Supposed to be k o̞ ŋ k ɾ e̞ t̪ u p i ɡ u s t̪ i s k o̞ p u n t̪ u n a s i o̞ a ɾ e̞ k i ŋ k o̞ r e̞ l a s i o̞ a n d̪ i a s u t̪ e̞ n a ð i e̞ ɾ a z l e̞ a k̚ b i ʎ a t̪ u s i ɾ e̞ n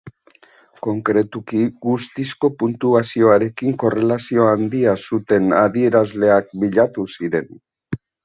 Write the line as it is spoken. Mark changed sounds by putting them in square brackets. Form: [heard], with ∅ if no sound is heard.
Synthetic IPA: k o̞ ŋ k ɾ e̞ t̪ u [k] i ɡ u s t̪ i s k o̞ p u n t̪ u [∅] a s i o̞ a ɾ e̞ k i ŋ k o̞ r e̞ l a s i o̞ a n d̪ i a s u t̪ e̞ n a ð i e̞ ɾ a z l e̞ a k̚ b i ʎ a t̪ u s i ɾ e̞ n